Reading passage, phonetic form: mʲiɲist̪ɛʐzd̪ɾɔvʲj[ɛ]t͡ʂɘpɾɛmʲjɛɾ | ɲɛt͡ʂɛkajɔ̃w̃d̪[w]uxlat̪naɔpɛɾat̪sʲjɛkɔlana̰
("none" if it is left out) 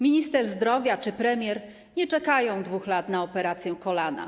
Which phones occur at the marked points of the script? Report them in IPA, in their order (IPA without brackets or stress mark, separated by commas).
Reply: a, v